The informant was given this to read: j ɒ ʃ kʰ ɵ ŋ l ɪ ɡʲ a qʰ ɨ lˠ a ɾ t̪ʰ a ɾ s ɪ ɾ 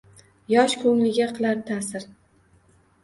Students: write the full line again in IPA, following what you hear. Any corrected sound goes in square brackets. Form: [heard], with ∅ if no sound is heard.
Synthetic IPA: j ɒ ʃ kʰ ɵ ŋ l ɪ ɡʲ a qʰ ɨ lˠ a ɾ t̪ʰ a [∅] s ɪ ɾ

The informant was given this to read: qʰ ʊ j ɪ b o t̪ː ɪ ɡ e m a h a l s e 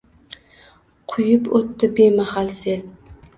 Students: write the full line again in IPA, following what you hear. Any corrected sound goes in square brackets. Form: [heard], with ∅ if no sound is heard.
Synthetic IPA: qʰ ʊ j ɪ [p] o t̪ː ɪ [b] e m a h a l s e

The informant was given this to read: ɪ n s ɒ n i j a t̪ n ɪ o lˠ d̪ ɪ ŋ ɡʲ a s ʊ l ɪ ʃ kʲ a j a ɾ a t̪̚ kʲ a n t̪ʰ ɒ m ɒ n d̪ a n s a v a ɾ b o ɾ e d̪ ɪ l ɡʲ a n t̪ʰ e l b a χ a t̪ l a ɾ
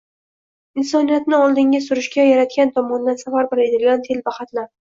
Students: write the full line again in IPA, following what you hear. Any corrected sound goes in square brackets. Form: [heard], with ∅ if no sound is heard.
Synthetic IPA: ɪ n s ɒ n i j a t̪ n ɪ [ɒ] lˠ d̪ ɪ ŋ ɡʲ a s ʊ [ɾ] ɪ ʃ kʲ a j a ɾ a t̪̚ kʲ a n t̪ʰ ɒ m ɒ n d̪ a n s a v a ɾ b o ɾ e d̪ ɪ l ɡʲ a n t̪ʰ e l b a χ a t̪ l a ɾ

